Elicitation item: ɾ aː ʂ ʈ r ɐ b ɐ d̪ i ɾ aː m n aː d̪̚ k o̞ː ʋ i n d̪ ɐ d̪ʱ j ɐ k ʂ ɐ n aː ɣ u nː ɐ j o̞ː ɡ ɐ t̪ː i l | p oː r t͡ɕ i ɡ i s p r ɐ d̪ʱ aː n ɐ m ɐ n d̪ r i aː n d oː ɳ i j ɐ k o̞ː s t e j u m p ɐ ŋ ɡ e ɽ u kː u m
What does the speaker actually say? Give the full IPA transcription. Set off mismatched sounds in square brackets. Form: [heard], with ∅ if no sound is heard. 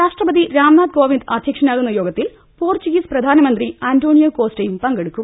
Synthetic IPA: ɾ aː ʂ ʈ r ɐ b ɐ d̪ i ɾ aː m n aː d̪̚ k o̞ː ʋ i n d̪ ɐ d̪ʱ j ɐ k ʂ ɐ n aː ɣ u nː ɐ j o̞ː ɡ ɐ t̪ː i l | p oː r t͡ɕ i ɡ i s p r ɐ d̪ʱ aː n ɐ m ɐ n d̪ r i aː n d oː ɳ i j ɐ k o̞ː s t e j u m p ɐ ŋ ɡ e ɽ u kː u m